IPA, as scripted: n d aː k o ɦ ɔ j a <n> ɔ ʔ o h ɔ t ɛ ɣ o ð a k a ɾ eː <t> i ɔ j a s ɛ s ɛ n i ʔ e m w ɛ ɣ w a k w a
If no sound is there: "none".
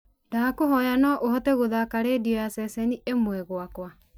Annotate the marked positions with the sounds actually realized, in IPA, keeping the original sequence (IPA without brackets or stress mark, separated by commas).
n, d